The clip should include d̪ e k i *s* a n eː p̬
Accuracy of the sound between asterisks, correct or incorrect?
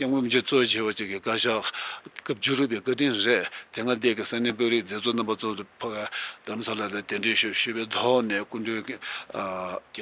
correct